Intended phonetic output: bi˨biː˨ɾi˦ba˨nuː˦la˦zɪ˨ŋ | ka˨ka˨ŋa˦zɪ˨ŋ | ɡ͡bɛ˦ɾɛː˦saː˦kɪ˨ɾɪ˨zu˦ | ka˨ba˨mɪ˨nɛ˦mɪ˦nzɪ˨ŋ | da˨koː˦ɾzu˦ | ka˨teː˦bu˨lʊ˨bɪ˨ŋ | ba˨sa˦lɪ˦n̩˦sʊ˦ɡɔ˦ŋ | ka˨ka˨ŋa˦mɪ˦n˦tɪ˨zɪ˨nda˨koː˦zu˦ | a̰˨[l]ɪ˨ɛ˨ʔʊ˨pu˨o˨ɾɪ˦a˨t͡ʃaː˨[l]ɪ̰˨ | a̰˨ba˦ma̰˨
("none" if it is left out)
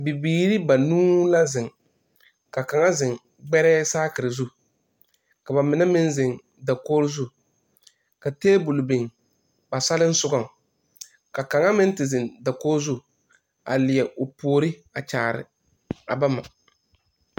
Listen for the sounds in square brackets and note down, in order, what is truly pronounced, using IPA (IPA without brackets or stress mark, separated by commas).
l, ɾ